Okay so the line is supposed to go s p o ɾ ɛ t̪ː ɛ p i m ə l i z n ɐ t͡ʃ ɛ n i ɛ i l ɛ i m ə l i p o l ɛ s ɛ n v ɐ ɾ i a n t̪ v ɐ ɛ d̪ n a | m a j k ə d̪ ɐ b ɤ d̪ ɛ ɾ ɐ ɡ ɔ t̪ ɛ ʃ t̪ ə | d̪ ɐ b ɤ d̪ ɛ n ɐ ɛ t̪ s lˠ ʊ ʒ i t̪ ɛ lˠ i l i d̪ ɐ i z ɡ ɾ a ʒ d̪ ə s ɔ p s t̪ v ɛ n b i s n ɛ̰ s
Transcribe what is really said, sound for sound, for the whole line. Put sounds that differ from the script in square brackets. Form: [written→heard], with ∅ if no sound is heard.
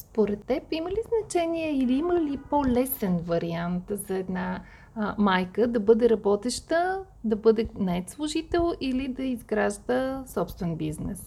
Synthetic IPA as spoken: s p o ɾ ɛ t̪ː ɛ p i m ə l i z n ɐ t͡ʃ ɛ n i ɛ i l [ɛ→i] i m ə l i p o l ɛ s ɛ n v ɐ ɾ i a n t̪ [v→z] ɐ ɛ d̪ n a | m a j k ə d̪ ɐ b ɤ d̪ ɛ ɾ ɐ [ɡ→b] ɔ t̪ ɛ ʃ t̪ ə | d̪ ɐ b ɤ d̪ ɛ n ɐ ɛ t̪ s lˠ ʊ ʒ i t̪ ɛ lˠ i l i d̪ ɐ i z ɡ ɾ a ʒ d̪ ə s ɔ p s t̪ v ɛ n b i [s→z] n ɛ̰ s